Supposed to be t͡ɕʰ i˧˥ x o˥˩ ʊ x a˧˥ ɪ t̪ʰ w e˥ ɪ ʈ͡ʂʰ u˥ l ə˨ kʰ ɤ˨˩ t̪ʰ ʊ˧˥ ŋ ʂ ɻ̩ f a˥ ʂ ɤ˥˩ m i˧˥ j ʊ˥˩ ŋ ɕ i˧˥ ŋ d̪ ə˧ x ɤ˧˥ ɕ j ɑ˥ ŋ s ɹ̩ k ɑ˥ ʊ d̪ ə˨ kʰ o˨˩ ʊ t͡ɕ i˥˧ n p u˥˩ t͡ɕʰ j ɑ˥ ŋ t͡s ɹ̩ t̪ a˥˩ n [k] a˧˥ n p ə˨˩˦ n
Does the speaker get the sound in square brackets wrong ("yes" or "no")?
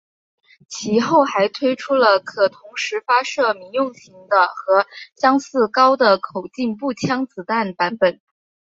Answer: yes